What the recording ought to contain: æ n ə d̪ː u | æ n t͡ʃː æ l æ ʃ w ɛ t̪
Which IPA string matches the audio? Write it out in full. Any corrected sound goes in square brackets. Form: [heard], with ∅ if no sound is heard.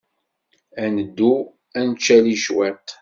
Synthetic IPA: æ n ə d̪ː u | æ n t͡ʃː æ l [i] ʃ w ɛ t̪